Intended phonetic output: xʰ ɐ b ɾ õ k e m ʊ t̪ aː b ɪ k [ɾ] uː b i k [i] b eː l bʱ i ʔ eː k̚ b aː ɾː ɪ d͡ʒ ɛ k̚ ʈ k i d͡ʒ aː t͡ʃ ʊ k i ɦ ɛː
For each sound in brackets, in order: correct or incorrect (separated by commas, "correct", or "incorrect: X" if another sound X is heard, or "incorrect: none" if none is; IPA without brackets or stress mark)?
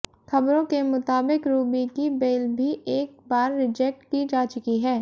correct, correct